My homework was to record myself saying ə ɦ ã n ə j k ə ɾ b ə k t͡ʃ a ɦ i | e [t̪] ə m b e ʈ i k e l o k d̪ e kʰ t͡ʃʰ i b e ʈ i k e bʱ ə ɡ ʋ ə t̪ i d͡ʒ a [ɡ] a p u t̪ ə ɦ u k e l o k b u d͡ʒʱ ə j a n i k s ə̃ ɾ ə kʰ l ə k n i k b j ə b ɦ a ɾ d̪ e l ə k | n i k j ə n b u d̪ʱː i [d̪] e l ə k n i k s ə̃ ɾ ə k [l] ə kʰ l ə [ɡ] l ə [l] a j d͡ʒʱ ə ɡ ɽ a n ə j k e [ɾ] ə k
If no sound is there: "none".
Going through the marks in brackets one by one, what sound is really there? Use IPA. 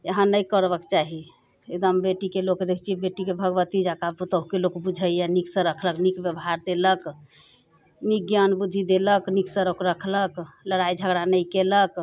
d̪, k, d̪, ɾ, k, ɽ, l

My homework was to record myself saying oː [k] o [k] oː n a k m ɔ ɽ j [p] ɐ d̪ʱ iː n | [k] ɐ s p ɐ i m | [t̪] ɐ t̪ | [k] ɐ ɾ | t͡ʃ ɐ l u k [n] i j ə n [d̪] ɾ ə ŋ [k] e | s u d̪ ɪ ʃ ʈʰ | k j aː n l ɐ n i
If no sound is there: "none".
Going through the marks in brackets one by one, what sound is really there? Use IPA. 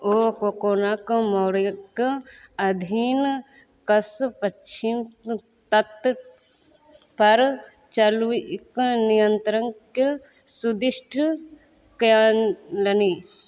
k, k, k, k, t̪, p, n, t̪, k

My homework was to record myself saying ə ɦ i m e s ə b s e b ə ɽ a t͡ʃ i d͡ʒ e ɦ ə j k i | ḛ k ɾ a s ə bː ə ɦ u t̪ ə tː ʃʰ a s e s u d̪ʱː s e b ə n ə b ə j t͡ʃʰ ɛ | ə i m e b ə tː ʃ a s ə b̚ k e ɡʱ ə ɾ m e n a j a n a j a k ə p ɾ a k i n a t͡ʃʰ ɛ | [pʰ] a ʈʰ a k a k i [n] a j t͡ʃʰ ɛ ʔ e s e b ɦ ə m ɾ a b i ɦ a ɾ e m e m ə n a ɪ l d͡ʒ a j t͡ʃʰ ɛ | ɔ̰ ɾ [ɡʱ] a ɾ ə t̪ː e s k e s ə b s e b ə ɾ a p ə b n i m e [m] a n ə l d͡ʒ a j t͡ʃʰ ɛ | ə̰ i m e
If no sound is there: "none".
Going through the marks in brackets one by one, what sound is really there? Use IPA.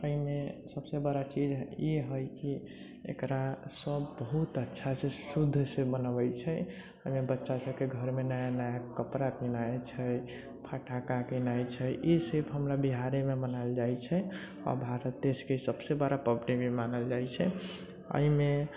pʰ, n, bʱ, m

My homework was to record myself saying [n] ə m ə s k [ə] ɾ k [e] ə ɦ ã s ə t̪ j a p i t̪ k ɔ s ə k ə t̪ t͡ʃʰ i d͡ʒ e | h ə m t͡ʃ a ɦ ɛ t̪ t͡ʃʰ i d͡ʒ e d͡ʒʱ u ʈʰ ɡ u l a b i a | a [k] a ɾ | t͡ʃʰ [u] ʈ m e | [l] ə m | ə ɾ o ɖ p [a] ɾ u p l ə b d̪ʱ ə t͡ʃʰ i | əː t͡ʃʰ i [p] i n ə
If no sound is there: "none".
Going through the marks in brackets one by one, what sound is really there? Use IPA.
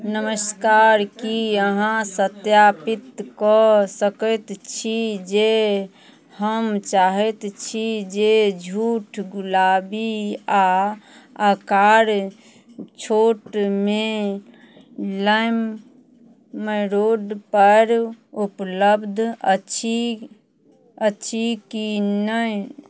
n, a, i, k, o, l, ə, k

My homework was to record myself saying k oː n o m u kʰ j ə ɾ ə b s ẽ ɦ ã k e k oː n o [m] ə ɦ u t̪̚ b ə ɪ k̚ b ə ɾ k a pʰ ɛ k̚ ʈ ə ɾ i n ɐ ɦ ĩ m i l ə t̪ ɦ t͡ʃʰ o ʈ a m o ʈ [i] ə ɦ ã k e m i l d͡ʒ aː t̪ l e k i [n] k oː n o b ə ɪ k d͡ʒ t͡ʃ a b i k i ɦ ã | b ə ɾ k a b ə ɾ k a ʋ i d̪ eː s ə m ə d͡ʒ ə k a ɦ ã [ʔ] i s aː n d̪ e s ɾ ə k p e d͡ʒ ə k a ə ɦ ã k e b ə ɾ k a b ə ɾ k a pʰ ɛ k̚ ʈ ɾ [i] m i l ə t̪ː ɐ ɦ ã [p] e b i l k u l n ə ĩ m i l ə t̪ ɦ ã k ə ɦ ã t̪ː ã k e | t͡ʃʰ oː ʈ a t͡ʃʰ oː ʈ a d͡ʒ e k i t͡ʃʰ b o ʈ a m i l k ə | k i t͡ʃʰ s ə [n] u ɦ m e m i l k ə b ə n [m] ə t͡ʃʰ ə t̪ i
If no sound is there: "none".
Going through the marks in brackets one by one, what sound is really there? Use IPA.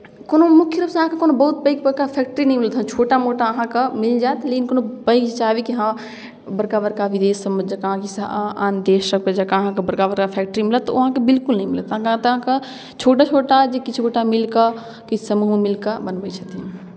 b, a, n, k, i, k, m, b

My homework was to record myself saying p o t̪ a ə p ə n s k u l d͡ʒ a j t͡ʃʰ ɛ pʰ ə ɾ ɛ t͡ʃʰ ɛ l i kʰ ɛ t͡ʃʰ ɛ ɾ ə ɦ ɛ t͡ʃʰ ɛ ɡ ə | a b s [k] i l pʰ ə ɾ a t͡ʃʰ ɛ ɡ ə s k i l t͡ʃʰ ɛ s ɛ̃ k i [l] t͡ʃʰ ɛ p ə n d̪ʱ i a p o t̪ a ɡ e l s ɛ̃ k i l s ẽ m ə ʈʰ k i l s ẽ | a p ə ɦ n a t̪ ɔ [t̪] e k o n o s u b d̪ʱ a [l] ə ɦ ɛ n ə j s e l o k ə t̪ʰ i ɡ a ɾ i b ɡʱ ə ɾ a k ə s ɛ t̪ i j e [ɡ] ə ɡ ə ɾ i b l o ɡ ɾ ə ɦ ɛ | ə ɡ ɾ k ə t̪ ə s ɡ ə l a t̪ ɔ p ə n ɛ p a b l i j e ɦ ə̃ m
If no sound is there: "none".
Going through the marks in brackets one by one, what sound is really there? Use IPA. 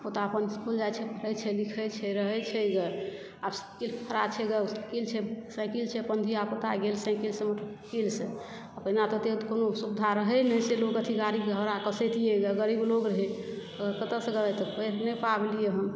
k, l, t̪, ɾ, ɡ

